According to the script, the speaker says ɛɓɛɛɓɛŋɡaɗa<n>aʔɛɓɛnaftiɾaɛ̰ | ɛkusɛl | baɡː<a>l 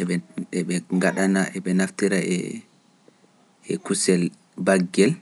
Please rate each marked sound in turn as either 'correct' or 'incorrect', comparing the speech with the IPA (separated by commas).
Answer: correct, incorrect